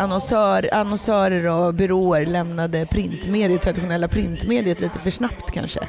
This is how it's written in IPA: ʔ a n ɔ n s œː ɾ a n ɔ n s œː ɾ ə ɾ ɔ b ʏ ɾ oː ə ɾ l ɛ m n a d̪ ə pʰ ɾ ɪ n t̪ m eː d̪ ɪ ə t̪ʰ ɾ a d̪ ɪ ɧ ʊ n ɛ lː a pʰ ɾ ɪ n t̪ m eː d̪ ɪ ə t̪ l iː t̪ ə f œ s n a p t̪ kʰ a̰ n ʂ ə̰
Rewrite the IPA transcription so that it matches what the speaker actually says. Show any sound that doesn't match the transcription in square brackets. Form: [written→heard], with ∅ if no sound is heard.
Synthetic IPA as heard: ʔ a n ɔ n s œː ɾ a n ɔ n s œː ɾ ə ɾ ɔ b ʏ ɾ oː ə ɾ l ɛ m n a d̪ ə pʰ ɾ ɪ n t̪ m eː d̪ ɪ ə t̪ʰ ɾ a d̪ ɪ ɧ ʊ n ɛ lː a pʰ ɾ ɪ n t̪ m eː d̪ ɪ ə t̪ l iː t̪ ə f œ [s→ʂ] n a p t̪ kʰ a̰ n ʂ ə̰